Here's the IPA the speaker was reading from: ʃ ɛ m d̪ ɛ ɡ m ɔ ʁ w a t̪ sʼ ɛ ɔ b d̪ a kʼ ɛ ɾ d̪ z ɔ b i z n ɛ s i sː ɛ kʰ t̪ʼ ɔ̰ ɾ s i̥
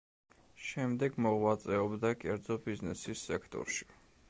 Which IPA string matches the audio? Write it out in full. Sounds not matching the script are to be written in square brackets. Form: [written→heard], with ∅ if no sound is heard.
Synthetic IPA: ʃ ɛ m d̪ ɛ ɡ m ɔ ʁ w a t̪ sʼ ɛ ɔ b d̪ a kʼ ɛ ɾ d̪ z ɔ b i z n ɛ s i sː ɛ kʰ t̪ʼ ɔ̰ ɾ [s→ʃ] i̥